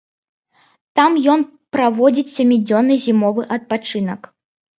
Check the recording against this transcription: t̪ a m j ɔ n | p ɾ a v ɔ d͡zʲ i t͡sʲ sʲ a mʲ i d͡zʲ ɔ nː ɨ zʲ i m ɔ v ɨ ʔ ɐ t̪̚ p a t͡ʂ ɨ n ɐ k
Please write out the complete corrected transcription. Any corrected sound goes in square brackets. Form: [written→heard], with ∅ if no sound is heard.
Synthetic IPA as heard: t̪ a m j ɔ n | p ɾ a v ɔ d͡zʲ i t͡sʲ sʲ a mʲ i d͡zʲ ɔ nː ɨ zʲ i m ɔ v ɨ ʔ ɐ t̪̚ p a t͡ʂ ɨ n ɐ k